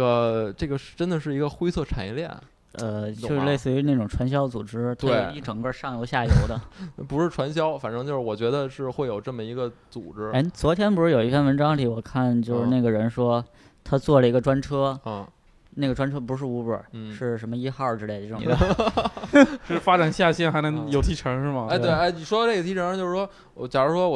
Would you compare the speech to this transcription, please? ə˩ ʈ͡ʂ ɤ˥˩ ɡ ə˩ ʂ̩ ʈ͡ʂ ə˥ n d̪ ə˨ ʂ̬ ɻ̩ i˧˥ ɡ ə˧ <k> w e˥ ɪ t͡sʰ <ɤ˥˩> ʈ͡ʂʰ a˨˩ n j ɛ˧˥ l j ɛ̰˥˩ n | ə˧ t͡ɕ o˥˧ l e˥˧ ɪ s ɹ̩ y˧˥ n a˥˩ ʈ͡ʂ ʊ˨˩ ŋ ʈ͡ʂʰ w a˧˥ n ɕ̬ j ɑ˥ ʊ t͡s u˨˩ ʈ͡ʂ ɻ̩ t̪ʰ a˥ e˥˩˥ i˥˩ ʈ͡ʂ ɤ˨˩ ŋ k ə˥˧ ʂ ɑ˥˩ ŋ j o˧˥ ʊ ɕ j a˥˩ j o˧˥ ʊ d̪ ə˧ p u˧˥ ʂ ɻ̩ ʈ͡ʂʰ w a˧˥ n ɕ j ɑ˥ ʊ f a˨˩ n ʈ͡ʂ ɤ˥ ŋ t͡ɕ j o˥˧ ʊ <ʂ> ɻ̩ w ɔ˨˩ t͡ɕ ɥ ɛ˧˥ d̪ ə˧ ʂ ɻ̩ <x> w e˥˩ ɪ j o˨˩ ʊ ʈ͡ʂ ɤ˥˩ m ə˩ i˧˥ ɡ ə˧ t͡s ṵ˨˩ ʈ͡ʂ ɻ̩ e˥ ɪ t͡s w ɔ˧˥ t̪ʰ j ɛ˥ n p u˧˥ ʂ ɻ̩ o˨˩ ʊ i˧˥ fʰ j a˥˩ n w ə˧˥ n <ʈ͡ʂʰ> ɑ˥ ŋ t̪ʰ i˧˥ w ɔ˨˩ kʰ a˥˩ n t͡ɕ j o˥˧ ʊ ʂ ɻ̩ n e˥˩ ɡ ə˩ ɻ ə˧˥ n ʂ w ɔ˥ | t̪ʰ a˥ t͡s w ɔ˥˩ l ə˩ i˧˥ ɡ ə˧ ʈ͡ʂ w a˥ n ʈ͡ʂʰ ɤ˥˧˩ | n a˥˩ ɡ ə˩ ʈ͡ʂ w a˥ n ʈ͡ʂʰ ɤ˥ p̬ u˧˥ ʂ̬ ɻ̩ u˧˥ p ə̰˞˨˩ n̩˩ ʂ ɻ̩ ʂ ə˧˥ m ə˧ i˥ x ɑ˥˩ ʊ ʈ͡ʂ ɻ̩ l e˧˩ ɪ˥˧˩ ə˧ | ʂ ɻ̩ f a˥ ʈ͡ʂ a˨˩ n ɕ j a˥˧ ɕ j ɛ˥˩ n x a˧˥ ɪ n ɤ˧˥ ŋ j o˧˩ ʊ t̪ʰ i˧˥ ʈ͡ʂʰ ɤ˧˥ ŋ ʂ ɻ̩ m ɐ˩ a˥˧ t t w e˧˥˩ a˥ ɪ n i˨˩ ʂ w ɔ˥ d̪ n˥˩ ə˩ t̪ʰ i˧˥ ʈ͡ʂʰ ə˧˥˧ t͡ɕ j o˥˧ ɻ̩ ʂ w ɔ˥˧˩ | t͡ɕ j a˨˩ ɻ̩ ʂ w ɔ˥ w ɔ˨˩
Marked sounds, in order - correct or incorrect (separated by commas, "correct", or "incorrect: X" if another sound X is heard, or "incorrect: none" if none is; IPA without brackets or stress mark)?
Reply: incorrect: x, correct, correct, correct, incorrect: ʈ͡ʂ